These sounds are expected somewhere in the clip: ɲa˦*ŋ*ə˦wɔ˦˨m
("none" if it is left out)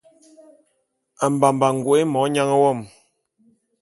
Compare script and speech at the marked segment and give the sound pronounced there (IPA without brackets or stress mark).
ŋ